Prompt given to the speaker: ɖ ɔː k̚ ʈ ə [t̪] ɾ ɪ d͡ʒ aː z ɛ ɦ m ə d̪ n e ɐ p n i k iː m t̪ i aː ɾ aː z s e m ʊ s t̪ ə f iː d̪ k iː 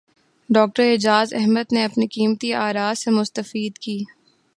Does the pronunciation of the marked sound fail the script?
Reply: yes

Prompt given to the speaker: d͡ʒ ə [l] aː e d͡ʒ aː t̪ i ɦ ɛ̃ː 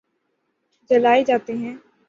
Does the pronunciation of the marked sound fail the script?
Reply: no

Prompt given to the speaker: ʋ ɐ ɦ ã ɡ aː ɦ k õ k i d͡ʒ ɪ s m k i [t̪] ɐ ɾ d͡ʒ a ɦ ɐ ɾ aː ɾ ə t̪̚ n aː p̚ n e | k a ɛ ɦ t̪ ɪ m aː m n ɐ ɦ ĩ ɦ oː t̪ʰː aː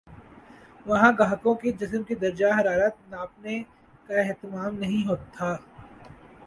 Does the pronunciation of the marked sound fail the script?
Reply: yes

